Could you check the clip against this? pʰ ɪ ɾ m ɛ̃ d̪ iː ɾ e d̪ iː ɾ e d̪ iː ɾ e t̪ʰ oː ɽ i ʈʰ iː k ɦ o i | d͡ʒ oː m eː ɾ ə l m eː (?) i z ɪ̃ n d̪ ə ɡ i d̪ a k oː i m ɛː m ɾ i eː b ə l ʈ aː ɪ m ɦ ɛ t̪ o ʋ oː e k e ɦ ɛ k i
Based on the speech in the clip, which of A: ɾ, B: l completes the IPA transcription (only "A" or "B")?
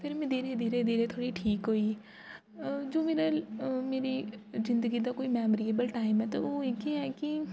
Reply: A